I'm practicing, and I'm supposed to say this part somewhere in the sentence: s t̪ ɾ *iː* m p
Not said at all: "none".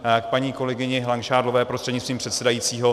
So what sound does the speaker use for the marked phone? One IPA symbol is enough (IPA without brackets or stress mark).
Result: iː